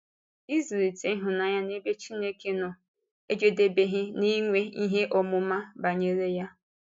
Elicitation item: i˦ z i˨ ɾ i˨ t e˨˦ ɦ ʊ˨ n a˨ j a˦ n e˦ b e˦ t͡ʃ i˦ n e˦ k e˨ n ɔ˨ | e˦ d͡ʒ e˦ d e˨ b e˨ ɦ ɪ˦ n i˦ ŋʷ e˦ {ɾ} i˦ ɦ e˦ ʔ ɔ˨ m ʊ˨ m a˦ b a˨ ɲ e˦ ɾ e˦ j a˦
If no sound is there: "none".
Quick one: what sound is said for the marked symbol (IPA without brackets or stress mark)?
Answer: none